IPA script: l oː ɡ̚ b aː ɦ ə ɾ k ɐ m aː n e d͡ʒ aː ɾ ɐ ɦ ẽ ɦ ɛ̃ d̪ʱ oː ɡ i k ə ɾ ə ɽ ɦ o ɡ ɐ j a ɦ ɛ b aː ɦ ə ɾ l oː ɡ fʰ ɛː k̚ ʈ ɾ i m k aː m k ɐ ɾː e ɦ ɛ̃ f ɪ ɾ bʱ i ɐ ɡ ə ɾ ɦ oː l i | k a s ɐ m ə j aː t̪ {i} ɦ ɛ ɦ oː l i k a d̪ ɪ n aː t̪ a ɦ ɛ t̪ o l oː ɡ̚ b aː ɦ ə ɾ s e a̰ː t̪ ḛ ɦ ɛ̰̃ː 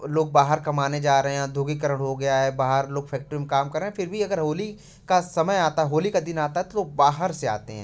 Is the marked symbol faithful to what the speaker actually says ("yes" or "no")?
no